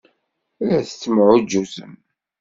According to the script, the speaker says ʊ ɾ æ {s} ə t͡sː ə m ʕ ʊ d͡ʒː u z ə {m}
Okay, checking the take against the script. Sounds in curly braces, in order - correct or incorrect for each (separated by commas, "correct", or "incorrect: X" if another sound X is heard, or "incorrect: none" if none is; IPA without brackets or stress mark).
incorrect: θ, correct